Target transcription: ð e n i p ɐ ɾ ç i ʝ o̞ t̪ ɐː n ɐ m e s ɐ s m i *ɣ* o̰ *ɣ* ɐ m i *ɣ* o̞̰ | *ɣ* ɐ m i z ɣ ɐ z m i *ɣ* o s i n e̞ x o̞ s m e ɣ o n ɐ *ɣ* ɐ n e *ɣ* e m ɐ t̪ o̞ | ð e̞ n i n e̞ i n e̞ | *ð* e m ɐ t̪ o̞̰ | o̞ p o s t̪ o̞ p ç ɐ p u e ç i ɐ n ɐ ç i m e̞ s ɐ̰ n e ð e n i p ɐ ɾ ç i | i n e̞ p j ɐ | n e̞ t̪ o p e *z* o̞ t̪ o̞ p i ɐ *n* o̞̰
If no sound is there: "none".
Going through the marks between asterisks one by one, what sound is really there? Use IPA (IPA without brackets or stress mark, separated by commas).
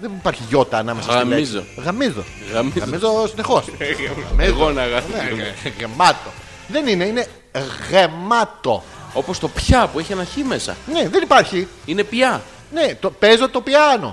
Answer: z, ɣ, z, ɣ, z, ɣ, ɣ, ɣ, z, n